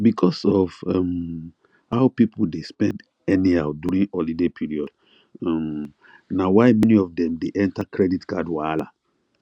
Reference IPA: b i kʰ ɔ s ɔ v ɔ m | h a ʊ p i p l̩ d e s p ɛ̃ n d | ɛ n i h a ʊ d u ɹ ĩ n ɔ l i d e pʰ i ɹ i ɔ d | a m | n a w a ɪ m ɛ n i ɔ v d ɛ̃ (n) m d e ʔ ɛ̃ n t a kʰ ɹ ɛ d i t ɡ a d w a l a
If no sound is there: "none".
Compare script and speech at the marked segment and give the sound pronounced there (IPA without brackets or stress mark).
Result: none